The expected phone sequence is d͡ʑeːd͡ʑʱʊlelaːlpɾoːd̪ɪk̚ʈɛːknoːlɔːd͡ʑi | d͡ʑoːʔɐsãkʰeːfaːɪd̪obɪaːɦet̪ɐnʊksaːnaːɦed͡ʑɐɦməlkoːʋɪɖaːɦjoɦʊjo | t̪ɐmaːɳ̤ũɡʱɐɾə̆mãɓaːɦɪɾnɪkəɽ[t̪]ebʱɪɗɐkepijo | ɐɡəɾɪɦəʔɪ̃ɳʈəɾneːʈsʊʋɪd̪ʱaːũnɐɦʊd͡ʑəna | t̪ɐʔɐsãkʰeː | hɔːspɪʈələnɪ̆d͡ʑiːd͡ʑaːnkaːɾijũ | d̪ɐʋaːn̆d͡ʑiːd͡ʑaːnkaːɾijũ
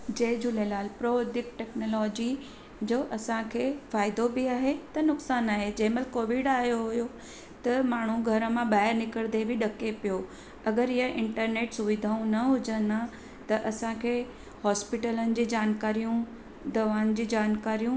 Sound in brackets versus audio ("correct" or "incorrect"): incorrect